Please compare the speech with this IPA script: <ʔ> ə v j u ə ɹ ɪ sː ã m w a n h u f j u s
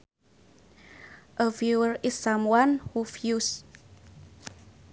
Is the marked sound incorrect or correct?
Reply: correct